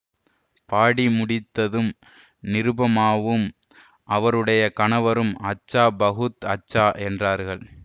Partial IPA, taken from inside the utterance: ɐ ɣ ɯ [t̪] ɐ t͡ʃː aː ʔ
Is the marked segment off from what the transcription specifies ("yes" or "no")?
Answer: no